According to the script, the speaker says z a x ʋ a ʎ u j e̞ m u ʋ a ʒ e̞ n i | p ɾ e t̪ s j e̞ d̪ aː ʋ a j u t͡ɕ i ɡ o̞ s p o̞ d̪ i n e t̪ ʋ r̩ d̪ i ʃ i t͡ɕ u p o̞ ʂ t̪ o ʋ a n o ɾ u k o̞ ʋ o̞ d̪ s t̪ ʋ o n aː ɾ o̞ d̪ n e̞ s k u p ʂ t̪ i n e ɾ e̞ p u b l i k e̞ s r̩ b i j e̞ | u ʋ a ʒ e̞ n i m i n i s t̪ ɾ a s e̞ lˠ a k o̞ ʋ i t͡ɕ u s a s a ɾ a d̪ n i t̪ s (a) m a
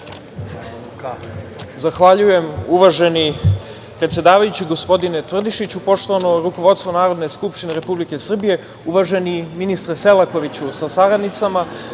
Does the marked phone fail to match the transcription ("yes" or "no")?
no